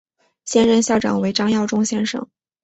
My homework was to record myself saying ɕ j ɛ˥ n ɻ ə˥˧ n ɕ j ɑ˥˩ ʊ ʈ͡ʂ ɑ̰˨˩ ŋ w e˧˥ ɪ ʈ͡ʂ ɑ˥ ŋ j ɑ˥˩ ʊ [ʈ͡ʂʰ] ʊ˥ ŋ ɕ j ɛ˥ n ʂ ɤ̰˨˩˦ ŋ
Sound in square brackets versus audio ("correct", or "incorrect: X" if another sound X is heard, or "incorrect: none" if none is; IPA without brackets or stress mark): incorrect: ʈ͡ʂ